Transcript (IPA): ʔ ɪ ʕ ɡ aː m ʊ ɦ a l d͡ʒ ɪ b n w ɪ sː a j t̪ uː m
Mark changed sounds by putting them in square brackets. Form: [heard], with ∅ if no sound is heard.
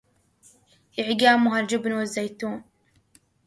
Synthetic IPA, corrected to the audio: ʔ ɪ ʕ ɡ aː m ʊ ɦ a l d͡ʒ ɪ b n w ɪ [zː] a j t̪ uː [n]

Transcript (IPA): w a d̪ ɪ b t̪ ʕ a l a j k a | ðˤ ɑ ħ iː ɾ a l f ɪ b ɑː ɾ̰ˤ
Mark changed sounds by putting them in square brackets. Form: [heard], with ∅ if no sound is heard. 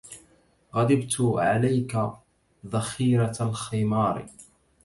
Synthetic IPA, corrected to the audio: [ɣ] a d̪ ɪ b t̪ ʕ a l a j k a | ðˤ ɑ [x] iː ɾ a l [x] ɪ [m] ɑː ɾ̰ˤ

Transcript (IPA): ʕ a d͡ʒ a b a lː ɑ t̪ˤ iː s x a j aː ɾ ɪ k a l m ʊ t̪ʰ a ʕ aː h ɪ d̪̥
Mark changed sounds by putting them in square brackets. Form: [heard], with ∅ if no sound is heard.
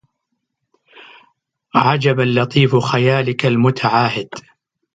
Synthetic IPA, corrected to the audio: ʕ a d͡ʒ a b a lː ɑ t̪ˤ iː [f] x a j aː [l] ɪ k a l m ʊ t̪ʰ a ʕ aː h ɪ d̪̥

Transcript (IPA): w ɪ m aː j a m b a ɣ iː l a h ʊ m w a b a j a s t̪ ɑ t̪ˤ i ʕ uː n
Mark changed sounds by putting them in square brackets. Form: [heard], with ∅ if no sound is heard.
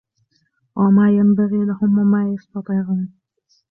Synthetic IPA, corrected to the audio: w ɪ m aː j a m b a ɣ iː l a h ʊ m w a [m] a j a s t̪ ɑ t̪ˤ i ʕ uː n

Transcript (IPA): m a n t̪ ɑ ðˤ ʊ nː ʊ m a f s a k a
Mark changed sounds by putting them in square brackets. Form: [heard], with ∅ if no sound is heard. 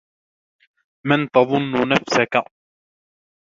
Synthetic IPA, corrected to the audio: m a n t̪ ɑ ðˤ ʊ nː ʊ [n] a f s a k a

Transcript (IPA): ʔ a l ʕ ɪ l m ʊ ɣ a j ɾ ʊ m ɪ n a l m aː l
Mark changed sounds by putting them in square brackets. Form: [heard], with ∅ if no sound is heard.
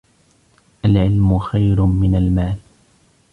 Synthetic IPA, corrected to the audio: ʔ a l ʕ ɪ l m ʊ [x] a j ɾ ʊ m ɪ n a l m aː l

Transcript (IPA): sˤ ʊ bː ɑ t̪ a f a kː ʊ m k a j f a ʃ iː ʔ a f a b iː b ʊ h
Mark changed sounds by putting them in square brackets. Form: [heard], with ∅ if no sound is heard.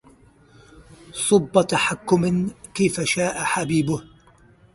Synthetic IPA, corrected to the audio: sˤ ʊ bː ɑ t̪ a [ħ] a kː ʊ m k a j f a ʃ [aː] ʔ a [ħ] a b iː b ʊ h

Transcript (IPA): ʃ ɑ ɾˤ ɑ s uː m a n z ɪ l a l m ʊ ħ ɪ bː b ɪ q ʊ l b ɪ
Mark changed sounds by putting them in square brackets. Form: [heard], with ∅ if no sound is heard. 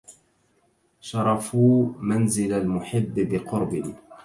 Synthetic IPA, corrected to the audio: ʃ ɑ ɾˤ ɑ [f] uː m a n z ɪ l a l m ʊ ħ ɪ bː b ɪ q ʊ [ɾ] b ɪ

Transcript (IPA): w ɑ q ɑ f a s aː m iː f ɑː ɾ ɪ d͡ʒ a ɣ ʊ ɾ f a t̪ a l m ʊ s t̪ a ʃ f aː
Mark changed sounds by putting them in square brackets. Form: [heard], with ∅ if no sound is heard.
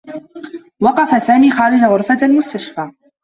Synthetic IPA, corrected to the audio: w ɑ q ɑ f a s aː m iː [x] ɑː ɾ ɪ d͡ʒ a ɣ ʊ ɾ f a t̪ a l m ʊ s t̪ a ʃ f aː

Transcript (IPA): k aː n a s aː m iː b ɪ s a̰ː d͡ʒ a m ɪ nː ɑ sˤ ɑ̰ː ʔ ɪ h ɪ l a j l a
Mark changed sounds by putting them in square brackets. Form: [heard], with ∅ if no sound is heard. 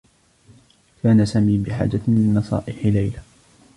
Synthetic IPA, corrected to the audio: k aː n a s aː m iː b ɪ [ħ] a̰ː d͡ʒ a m ɪ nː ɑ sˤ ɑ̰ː ʔ ɪ [ħ] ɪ l a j l a

